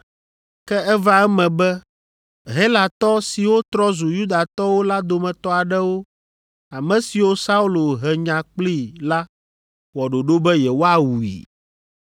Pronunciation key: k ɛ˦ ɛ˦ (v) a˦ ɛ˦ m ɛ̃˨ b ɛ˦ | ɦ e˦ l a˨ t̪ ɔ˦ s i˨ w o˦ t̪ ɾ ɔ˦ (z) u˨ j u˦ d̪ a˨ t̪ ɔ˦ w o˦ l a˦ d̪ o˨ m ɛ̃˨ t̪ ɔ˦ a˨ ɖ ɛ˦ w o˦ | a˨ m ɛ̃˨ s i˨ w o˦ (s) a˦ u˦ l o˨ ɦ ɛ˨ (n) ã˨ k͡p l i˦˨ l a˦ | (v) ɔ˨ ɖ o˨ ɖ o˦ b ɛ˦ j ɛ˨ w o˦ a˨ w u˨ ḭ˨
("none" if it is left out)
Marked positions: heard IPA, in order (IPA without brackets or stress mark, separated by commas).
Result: v, z, s, ɲ, w